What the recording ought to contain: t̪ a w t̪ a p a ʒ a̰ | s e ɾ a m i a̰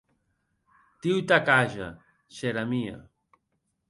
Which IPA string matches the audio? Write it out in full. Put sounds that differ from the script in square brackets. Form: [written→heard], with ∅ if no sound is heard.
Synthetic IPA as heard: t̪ [a→i] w t̪ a [p→k] a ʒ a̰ | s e ɾ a m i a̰